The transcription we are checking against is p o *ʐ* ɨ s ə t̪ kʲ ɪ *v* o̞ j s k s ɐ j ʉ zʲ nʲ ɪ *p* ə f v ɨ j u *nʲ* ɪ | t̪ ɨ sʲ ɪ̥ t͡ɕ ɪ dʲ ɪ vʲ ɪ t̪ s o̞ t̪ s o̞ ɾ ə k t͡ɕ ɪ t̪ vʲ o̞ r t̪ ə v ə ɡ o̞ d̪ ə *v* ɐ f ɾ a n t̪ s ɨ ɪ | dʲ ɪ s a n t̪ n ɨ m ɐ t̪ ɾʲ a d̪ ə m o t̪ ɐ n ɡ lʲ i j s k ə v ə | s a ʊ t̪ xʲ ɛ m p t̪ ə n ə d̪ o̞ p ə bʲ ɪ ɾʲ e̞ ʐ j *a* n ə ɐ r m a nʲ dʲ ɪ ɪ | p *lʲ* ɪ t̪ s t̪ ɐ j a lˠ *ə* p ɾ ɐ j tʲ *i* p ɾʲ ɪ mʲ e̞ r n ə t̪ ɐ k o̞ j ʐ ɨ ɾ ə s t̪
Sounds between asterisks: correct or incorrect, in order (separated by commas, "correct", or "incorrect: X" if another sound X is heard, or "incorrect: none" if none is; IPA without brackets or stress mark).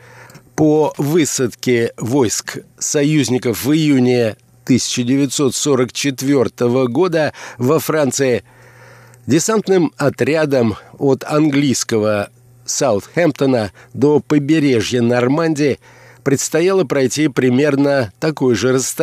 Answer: incorrect: v, correct, incorrect: k, correct, correct, incorrect: ə, incorrect: ɾʲ, correct, correct